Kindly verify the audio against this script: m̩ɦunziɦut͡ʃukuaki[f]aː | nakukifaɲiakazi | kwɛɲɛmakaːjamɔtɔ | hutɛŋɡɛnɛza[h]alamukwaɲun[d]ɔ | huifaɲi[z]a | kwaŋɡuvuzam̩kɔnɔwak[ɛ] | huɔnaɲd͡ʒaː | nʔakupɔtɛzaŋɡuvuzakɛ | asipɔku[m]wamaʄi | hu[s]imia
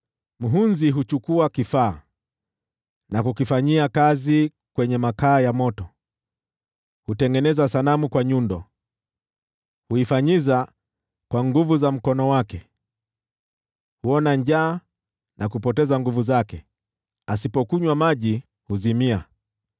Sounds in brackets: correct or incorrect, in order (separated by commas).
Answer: correct, incorrect, correct, correct, correct, incorrect, incorrect